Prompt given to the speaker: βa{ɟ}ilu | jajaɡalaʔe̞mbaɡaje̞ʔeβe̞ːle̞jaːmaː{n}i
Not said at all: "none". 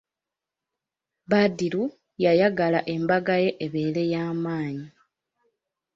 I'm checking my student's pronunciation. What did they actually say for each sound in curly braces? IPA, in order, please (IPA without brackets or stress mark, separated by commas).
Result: d, ɲ